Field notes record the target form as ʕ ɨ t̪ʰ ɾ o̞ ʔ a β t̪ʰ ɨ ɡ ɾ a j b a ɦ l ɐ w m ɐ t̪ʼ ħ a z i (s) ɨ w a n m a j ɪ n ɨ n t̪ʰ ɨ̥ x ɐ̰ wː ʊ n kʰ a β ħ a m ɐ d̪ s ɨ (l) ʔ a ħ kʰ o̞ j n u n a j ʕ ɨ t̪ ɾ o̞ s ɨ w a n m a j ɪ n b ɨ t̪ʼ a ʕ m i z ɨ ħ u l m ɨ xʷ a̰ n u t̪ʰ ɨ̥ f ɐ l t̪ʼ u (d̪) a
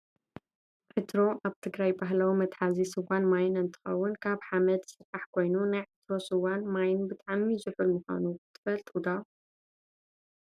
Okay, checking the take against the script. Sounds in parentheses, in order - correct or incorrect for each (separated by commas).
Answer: correct, incorrect, correct